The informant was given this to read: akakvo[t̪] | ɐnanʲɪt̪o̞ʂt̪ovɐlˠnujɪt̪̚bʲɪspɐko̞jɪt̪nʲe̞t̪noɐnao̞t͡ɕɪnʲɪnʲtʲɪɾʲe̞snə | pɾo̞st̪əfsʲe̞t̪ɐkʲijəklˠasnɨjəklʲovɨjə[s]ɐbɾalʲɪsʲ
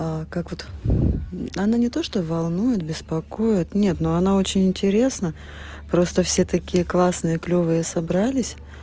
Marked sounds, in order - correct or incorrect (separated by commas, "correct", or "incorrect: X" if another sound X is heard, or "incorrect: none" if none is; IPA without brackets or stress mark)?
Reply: correct, correct